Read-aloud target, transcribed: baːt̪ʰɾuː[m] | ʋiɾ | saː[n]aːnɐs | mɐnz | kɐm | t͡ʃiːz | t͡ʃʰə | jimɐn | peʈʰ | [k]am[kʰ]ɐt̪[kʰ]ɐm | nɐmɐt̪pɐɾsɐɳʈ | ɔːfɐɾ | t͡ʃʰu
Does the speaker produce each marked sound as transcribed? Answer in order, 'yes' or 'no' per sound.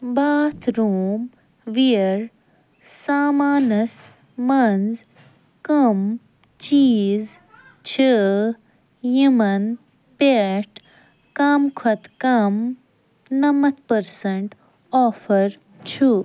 yes, no, yes, yes, no

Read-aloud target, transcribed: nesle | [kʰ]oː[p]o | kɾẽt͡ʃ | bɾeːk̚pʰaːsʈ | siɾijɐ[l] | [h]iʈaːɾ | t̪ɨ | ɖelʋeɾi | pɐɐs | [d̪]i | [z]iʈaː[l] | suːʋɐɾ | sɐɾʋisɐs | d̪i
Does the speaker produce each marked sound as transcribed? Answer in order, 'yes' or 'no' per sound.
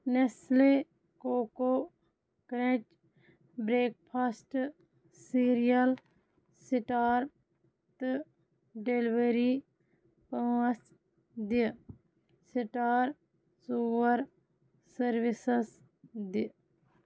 no, no, yes, no, yes, no, no

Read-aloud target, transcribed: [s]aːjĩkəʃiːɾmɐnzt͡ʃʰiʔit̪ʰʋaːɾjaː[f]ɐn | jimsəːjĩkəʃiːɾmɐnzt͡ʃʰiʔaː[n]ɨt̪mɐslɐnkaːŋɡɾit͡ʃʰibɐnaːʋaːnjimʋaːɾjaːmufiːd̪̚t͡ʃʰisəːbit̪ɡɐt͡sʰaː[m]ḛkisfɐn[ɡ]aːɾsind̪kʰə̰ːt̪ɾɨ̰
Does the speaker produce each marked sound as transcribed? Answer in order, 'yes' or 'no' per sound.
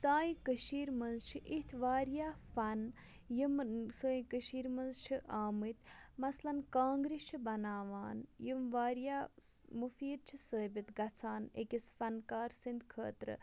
yes, yes, no, no, no

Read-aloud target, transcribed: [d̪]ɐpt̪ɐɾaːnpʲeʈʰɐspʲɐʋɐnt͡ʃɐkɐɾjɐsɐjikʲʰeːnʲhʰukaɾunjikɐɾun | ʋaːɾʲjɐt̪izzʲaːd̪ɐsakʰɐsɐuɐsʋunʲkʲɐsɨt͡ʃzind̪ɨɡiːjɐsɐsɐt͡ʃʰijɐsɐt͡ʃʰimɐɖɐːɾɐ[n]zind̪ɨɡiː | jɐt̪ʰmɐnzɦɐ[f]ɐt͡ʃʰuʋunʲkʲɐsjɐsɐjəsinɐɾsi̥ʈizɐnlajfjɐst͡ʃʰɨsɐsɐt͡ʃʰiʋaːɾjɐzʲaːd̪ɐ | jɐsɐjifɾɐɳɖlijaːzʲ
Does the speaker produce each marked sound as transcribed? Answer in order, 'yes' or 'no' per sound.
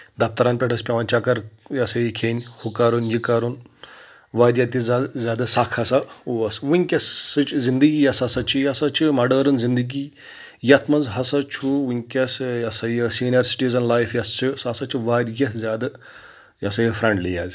yes, yes, no

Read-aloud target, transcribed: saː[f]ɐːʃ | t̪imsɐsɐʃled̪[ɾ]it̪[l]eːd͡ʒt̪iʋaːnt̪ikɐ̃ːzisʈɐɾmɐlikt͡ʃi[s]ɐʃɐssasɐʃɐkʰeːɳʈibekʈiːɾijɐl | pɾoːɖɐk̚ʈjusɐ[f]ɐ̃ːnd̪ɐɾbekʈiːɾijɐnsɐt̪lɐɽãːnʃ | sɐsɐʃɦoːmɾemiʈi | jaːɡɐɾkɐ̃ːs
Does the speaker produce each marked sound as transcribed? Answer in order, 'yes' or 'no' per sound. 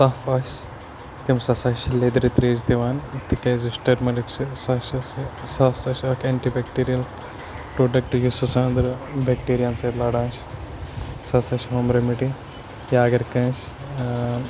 yes, yes, no, yes, no

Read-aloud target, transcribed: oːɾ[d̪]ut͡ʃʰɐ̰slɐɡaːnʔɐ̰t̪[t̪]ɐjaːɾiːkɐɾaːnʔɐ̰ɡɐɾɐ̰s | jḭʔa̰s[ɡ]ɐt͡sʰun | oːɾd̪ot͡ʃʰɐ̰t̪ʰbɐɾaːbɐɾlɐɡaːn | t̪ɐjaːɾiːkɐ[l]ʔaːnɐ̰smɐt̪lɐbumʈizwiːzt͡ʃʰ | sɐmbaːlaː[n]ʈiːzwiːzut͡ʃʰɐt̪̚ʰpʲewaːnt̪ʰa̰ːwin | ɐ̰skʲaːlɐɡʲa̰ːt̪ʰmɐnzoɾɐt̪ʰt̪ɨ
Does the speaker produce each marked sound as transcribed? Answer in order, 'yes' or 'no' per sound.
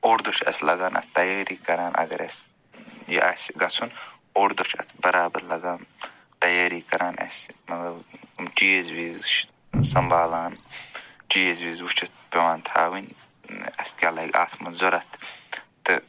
yes, yes, yes, no, yes

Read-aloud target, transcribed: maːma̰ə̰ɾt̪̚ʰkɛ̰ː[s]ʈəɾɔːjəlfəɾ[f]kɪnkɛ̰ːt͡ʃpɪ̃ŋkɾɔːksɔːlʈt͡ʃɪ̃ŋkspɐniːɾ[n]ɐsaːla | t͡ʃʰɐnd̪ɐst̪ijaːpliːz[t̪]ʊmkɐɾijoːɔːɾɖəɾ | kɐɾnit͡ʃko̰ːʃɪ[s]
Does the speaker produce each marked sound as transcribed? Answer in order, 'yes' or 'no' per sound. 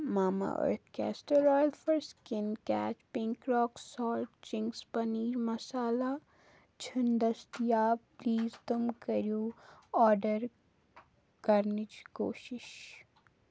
yes, no, no, yes, no

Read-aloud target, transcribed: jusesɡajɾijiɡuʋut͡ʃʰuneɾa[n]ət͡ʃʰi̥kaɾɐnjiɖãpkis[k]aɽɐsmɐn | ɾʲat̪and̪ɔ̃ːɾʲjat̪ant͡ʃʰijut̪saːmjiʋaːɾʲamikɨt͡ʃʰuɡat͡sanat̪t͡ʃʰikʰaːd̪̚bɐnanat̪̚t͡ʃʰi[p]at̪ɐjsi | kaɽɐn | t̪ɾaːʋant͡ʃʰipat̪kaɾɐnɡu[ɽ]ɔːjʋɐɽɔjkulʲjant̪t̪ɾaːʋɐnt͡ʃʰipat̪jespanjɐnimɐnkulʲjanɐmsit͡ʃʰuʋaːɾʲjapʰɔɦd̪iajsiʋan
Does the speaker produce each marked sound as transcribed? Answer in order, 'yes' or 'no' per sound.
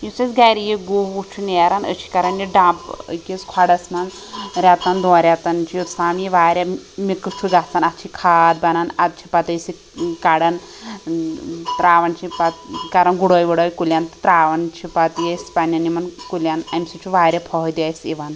yes, no, yes, yes

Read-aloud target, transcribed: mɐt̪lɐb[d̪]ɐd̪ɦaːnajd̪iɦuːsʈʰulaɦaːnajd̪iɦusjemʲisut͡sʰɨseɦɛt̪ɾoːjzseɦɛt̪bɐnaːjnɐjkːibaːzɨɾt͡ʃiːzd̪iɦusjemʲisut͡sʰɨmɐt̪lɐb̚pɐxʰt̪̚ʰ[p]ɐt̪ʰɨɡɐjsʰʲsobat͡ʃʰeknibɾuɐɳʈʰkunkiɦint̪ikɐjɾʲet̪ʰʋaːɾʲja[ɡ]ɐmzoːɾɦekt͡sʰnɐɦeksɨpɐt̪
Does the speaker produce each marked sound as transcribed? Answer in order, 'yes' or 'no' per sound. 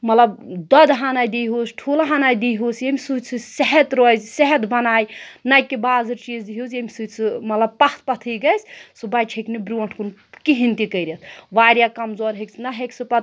yes, yes, no

